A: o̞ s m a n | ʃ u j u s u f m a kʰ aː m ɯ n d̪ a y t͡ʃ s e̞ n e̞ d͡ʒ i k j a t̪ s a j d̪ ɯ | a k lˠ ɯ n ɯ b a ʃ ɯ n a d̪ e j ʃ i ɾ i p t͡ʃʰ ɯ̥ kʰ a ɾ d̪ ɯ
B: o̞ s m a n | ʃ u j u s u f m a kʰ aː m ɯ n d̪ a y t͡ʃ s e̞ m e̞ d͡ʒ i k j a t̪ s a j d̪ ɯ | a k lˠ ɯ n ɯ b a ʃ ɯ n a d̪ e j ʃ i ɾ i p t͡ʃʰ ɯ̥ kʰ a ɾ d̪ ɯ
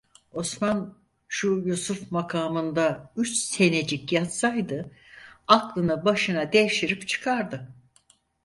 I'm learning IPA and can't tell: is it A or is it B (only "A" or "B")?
A